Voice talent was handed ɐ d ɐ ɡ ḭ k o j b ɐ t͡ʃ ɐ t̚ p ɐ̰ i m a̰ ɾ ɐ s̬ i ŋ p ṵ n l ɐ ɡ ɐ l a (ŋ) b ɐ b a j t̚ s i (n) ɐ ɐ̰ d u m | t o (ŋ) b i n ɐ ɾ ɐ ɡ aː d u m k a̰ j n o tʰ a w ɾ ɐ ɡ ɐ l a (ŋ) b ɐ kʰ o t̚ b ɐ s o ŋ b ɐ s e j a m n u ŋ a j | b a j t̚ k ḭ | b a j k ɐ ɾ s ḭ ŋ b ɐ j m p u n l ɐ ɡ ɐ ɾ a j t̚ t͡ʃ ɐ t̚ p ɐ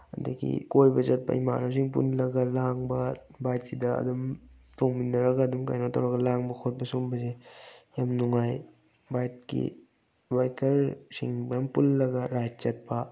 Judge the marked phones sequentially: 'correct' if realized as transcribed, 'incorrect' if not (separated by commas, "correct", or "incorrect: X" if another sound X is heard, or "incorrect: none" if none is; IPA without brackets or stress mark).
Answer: correct, incorrect: d, correct, correct